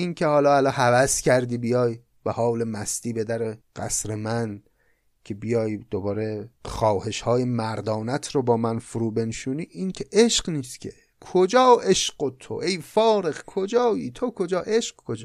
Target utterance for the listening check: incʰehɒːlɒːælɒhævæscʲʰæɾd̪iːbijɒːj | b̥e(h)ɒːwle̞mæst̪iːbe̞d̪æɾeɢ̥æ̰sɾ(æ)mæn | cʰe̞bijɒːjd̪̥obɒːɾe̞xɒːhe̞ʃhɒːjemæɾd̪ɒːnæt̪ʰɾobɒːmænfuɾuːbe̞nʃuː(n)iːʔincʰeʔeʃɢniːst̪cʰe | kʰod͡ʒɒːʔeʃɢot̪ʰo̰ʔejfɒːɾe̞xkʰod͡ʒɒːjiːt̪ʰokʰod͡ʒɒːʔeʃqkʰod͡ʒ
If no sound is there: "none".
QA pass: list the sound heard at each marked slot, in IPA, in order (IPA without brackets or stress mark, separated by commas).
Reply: h, e, n